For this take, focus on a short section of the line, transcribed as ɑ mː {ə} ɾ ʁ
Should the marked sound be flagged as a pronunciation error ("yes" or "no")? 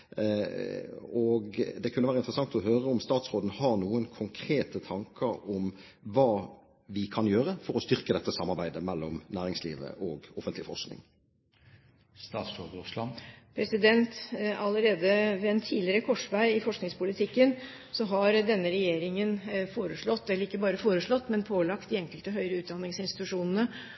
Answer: yes